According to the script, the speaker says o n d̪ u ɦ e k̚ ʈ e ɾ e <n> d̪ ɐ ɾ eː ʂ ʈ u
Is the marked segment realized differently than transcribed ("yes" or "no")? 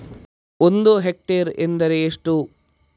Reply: no